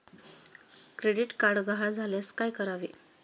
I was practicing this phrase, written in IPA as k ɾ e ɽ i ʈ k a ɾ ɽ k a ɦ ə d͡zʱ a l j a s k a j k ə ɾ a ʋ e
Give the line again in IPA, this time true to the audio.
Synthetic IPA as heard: k ɾ e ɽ i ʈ k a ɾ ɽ ɡ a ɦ a d͡zʱ a l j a s k a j k ə ɾ a ʋ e